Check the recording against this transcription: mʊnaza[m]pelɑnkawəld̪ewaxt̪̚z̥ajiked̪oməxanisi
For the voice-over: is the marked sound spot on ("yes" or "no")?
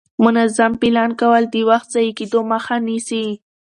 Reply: yes